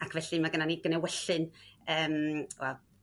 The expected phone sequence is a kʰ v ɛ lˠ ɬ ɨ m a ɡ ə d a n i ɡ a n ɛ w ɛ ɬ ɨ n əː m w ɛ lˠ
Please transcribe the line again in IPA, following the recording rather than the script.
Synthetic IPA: a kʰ v ɛ ɬ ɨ m a ɡ ə n a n i ɡ ə n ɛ w ɛ ɬ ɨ n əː m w ɛ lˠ